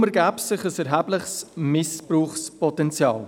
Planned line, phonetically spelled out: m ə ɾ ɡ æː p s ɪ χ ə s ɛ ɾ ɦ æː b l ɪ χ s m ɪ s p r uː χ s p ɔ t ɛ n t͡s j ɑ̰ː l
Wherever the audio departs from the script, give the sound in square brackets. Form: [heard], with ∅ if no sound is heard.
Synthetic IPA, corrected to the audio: m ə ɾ ɡ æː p s ɪ χ ə s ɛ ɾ ɦ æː b l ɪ χ s m ɪ s p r uː χ s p ɔ t ɛ n t͡s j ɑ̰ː l

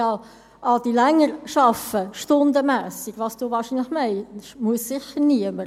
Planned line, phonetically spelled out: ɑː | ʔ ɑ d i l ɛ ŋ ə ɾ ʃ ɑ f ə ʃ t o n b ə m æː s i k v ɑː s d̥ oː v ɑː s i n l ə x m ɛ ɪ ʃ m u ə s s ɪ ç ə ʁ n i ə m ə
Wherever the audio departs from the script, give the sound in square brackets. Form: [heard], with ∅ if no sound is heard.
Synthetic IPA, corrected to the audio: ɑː | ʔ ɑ d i l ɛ ŋ ə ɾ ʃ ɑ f ə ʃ t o n [d] ə m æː s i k v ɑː s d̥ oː v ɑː [ʃ] i n l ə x m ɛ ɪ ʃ m u ə s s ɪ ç ə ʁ n i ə m ə

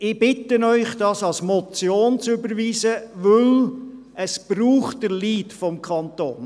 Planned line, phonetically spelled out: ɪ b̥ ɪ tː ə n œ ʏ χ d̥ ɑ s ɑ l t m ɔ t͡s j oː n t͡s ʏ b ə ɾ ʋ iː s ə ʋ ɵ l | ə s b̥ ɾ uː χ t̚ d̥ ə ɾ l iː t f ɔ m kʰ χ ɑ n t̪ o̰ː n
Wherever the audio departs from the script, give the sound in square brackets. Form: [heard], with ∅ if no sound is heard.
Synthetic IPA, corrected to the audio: ɪ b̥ ɪ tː ə n œ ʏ χ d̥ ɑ s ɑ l [s] m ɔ t͡s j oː n t͡s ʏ b ə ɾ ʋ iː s ə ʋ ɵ l | ə s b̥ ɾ uː χ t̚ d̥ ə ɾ l iː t f ɔ m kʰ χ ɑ n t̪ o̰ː n

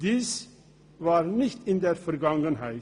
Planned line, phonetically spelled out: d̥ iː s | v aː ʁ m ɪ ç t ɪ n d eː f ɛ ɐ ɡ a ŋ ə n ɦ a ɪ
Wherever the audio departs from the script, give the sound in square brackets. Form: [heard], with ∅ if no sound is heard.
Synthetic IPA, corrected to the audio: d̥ iː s | v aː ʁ [n] ɪ ç t ɪ n d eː f ɛ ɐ ɡ a ŋ ə n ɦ a ɪ

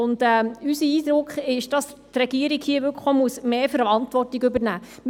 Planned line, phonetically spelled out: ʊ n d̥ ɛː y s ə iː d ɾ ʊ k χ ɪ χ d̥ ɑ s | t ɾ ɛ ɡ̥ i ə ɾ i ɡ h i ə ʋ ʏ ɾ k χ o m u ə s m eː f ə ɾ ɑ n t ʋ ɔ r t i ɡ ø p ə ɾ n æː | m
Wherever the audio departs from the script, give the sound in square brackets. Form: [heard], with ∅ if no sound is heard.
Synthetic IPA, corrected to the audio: ʊ n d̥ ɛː y s ə iː d ɾ ʊ k χ ɪ [ʃ] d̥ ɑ s | t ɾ ɛ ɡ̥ i ə ɾ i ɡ h i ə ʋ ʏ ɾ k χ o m u ə s m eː f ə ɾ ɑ n t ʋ ɔ r t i ɡ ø [b] ə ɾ n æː | m

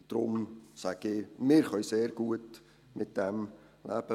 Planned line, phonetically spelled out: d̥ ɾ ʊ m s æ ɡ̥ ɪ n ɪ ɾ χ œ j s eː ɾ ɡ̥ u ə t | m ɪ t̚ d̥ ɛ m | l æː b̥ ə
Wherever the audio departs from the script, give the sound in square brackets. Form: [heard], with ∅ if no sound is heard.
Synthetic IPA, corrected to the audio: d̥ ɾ ʊ m s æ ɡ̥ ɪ [m] ɪ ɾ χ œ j s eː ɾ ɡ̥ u ə t | m ɪ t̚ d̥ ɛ m | l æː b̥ ə

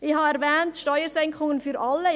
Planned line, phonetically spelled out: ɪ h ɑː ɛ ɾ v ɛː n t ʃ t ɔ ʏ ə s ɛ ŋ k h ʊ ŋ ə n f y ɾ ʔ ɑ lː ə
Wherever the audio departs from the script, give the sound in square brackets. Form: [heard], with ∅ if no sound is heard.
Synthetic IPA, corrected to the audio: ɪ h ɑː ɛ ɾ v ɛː n t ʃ t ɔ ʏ ə s ɛ ŋ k [χ] ʊ ŋ ə n f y ɾ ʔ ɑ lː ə

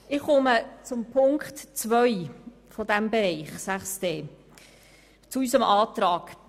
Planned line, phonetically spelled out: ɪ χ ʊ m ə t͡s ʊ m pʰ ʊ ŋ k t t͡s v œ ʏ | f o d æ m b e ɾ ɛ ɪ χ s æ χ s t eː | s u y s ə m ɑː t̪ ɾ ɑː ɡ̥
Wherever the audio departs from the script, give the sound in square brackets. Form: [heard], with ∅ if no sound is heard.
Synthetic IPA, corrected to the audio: ɪ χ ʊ m ə t͡s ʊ m pʰ ʊ ŋ k t t͡s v œ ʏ | f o d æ m b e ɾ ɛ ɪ χ s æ χ s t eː | [t͡s] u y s ə m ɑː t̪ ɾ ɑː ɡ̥

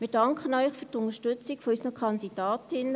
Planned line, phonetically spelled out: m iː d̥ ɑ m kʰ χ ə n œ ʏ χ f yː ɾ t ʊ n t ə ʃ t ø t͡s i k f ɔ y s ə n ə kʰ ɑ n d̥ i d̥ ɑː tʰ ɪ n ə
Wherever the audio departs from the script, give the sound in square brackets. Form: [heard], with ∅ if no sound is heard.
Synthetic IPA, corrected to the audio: m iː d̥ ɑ [ŋ] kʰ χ ə n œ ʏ χ f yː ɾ t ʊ n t ə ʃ t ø t͡s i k f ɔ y s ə n ə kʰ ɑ n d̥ i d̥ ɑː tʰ ɪ n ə

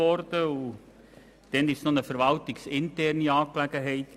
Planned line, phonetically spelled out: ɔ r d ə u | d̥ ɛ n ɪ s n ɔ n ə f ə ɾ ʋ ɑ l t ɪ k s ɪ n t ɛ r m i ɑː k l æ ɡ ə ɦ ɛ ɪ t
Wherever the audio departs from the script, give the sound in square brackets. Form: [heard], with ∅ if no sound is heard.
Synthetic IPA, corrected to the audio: ɔ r d ə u | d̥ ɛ n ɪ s n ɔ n ə f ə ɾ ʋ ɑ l t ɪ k s ɪ n t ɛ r [n] i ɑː k l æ ɡ ə ɦ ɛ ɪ t

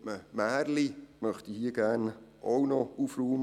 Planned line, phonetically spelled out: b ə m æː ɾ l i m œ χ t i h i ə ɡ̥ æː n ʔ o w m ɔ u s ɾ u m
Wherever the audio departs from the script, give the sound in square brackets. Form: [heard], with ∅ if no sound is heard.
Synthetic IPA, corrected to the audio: [m] ə m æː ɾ l i m œ χ t i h i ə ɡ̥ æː n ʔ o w [n] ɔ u [f] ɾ [uː] m

